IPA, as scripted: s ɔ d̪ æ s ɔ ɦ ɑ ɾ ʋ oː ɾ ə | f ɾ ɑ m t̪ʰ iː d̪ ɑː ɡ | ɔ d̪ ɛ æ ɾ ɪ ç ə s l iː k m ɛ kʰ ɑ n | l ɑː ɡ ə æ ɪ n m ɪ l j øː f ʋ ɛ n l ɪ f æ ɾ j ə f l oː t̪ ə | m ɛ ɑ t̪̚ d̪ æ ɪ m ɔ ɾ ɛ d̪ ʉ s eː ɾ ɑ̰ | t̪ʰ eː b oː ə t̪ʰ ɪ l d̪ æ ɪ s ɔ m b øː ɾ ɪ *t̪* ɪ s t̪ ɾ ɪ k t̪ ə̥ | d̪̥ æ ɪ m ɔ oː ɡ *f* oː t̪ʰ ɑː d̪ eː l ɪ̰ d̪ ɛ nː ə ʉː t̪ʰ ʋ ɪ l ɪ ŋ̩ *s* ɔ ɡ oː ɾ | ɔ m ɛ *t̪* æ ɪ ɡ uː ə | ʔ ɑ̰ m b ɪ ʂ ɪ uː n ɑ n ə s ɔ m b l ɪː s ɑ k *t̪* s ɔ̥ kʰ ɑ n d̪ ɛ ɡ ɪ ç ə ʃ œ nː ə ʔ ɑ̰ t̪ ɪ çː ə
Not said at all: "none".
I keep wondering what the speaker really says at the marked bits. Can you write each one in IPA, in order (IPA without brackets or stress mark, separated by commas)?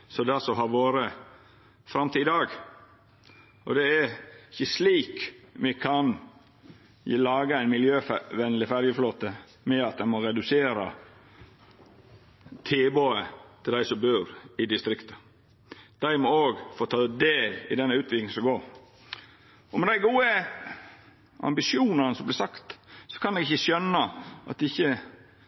d̪, f, s, d̪, t̪